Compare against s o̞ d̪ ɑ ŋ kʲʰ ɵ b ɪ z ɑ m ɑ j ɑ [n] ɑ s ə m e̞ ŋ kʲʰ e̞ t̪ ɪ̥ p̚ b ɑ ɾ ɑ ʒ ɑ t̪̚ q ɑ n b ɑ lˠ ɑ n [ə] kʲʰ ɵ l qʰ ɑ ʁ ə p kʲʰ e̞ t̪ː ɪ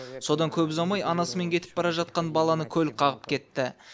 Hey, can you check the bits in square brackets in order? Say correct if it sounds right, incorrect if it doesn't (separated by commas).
correct, correct